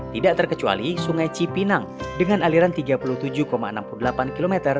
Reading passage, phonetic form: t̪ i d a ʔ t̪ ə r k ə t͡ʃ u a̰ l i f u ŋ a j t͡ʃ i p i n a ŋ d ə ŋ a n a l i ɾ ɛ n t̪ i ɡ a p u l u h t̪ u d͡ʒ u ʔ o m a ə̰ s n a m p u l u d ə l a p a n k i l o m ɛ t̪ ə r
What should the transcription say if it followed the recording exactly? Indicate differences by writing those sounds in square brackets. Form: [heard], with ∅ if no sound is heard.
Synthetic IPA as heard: t̪ i d a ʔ t̪ ə r k ə t͡ʃ u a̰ l i [s] u ŋ a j t͡ʃ i p i n a ŋ d ə ŋ a n a l i ɾ [a] n t̪ i ɡ a p u l u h t̪ u d͡ʒ u [k] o m a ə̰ [∅] n a m p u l u d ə l a p a n k i l o m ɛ t̪ ə r